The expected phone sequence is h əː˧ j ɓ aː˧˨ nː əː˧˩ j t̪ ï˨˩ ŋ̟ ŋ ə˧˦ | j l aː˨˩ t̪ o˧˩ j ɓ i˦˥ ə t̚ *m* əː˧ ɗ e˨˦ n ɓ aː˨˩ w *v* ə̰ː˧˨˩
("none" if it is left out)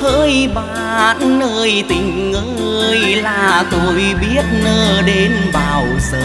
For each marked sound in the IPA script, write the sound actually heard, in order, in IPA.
n, z

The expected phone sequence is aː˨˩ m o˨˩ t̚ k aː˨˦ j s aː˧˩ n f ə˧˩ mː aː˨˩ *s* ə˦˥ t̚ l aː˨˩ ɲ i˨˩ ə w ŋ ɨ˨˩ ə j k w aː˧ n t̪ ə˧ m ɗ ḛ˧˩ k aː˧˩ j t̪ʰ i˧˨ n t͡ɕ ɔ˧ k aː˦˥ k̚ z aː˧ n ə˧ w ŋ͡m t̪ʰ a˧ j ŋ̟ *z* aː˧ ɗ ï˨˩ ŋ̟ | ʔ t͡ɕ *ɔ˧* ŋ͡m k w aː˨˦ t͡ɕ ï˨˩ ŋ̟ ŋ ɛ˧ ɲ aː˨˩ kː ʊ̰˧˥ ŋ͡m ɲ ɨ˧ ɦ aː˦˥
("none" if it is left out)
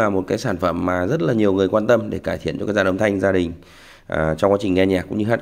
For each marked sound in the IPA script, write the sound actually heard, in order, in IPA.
z, z, ɔ˧

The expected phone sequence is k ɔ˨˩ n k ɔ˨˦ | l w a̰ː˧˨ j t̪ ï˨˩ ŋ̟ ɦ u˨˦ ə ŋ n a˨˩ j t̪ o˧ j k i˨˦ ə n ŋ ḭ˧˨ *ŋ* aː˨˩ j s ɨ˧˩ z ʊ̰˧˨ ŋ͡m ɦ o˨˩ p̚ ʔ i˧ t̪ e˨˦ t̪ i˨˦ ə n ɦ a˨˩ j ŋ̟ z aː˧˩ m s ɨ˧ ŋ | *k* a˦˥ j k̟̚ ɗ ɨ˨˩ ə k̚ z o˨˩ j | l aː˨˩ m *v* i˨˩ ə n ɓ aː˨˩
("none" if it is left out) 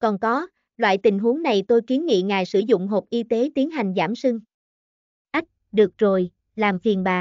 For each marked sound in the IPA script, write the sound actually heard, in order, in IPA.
ŋ, ʔ, f

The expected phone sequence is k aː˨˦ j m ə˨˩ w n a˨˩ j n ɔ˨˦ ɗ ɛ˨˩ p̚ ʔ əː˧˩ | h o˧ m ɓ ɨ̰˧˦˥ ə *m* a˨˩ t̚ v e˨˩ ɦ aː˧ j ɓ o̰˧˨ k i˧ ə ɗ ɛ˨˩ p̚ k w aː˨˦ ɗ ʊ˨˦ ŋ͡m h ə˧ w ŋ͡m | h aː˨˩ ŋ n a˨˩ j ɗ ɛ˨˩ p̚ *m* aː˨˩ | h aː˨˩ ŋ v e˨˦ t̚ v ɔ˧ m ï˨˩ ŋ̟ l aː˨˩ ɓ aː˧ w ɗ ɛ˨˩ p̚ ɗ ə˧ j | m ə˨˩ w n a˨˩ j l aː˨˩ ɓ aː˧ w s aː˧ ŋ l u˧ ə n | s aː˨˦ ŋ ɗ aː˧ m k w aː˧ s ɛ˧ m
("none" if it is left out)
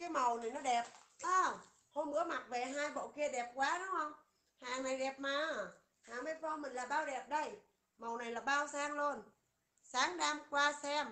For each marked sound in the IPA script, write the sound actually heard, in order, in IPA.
m, m

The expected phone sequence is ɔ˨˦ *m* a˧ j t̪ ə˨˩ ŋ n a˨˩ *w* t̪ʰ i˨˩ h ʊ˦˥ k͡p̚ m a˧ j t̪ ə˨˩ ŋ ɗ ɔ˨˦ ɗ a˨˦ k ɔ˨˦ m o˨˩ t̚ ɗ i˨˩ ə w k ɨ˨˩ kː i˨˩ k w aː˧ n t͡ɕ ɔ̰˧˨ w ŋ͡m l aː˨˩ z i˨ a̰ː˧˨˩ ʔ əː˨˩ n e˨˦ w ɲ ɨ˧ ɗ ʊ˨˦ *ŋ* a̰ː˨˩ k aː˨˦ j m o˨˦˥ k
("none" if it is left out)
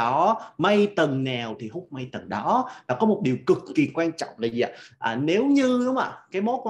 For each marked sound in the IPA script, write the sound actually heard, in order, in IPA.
m, w, ŋ͡m

